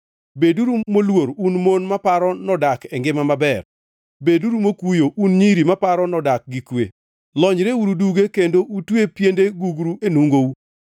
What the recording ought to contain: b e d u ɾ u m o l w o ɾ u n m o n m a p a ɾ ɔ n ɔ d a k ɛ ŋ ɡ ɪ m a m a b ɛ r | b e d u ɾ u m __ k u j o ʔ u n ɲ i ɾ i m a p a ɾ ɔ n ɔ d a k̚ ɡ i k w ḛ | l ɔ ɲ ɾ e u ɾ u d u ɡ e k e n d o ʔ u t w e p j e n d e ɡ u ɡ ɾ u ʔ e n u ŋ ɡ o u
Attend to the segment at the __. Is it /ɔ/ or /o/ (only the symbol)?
o